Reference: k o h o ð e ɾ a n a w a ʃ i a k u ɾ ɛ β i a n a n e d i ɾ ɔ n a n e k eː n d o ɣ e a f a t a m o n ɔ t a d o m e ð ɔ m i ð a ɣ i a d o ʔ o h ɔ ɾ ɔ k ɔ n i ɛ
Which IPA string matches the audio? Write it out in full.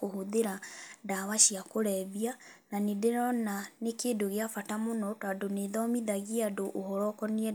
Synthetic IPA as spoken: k o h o ð e ɾ a d a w a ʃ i a k o ɾ ɛ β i a n a n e d e ɾ ɔ n a n e k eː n d o ɣ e a f a t a m o n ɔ t a d o n e ð ɔ m i ð a ɣ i a d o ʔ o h ɔ ɾ ɔ k ɔ n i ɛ